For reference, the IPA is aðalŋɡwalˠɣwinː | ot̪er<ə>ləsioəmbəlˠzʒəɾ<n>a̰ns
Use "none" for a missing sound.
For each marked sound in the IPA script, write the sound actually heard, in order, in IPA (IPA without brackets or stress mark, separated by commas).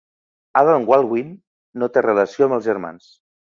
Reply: ə, m